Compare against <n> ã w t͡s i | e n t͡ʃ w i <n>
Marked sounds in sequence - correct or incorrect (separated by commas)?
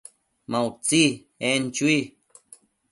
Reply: incorrect, incorrect